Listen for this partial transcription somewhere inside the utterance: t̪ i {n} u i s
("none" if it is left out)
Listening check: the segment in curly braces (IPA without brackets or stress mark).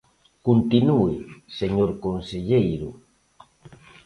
n